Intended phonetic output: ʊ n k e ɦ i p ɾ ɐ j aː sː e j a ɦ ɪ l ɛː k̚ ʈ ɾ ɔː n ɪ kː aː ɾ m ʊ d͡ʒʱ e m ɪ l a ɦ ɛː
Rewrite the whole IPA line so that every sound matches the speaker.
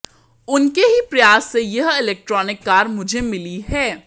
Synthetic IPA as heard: ʊ n k e ɦ i p ɾ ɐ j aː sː e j ɐ ɦ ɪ l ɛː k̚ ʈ ɾ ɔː n ɪ kː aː ɾ m ʊ d͡ʒʱ e m ɪ l i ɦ ɛː

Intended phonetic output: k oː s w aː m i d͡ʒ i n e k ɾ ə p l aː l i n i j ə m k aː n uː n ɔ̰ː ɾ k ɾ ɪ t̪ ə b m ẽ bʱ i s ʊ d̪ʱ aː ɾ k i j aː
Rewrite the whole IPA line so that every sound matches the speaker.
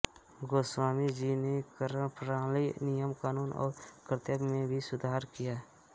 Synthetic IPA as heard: ɡ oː s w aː m i d͡ʒ i n e k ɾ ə p ɾ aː l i n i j ə m k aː n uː n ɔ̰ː ɾ k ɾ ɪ t̪ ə b m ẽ bʱ i s ʊ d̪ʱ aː ɾ k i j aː

